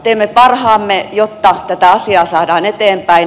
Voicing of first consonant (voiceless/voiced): voiceless